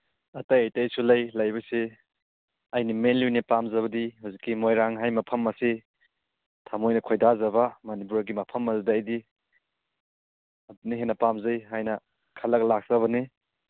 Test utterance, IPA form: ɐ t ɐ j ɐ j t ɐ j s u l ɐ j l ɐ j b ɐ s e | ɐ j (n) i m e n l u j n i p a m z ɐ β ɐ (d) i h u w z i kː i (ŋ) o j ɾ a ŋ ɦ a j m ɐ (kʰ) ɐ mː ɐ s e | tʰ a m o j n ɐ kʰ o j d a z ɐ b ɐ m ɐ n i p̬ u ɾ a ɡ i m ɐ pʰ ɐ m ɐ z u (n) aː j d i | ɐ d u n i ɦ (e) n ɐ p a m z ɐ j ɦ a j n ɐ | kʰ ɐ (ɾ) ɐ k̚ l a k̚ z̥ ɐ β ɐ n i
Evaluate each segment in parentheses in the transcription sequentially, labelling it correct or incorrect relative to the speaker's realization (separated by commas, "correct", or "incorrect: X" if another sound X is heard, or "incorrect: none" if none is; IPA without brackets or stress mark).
correct, correct, incorrect: m, incorrect: pʰ, incorrect: d, correct, incorrect: l